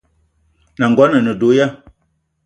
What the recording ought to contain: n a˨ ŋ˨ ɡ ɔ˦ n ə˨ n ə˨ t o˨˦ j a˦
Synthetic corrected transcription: n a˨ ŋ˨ ɡ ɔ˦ n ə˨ n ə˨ d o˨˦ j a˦